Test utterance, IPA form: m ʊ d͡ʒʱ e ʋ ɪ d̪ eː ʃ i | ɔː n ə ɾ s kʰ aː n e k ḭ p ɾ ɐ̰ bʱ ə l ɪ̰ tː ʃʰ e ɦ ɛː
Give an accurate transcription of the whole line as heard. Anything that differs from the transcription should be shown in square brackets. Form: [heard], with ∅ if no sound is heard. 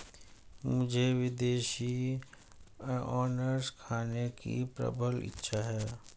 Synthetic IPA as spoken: m ʊ d͡ʒʱ e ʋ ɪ d̪ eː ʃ i | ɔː n ə ɾ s kʰ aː n e k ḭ p ɾ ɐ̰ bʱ ə l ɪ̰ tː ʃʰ [a] ɦ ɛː